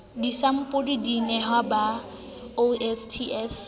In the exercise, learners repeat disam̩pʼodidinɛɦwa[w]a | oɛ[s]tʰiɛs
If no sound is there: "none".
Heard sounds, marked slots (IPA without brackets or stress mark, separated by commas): b, s